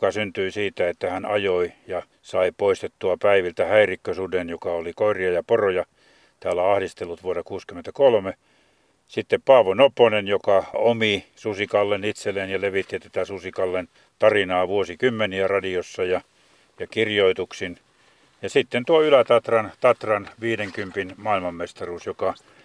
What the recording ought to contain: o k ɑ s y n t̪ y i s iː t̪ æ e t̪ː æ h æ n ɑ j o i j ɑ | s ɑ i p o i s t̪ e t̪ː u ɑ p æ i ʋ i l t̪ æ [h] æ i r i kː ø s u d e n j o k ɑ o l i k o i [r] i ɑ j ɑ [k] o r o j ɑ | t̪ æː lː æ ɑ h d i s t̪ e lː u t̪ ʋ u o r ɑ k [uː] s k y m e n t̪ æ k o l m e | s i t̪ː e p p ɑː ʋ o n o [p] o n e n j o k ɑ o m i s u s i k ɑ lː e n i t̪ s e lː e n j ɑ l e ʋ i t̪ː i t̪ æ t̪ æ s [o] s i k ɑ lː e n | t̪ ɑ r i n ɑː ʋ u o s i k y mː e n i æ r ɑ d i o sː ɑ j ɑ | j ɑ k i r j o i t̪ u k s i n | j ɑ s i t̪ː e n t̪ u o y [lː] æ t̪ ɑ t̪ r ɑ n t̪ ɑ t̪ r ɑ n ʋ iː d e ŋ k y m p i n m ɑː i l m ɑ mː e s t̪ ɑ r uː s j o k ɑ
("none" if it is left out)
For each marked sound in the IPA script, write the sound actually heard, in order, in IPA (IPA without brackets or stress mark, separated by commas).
h, r, p, uː, p, u, l